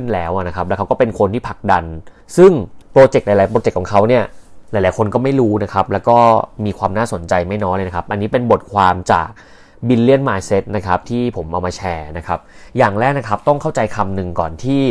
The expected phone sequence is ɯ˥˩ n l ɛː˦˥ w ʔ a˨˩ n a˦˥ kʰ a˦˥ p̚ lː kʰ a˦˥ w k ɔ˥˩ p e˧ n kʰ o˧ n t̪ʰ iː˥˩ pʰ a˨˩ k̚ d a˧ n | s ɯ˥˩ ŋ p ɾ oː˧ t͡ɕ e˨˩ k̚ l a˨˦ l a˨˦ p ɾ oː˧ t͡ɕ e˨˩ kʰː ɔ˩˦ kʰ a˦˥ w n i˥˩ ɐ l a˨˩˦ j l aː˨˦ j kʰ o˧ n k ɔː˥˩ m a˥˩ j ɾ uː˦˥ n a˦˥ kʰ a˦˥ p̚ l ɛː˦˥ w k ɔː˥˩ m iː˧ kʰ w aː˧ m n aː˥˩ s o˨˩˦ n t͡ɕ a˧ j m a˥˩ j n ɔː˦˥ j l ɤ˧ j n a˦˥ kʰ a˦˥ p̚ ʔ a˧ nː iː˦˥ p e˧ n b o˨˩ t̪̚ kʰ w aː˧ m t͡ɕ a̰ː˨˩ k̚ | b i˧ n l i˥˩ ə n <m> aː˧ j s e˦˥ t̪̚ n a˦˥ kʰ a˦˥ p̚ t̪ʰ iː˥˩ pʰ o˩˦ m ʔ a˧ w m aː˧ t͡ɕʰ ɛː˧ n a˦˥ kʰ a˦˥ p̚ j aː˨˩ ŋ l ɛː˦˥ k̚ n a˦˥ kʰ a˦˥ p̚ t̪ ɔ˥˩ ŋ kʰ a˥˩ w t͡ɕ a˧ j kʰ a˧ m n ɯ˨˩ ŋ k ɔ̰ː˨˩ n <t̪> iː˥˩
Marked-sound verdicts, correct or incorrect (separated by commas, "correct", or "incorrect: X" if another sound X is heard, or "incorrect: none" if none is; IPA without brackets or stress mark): correct, incorrect: t̪ʰ